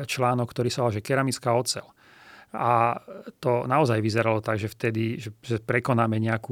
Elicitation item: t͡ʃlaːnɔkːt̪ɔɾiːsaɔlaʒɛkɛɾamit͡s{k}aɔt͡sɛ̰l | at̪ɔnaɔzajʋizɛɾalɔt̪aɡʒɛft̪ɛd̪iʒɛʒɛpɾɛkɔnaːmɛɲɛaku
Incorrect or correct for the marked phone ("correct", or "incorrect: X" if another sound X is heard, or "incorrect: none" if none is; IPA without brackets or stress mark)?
correct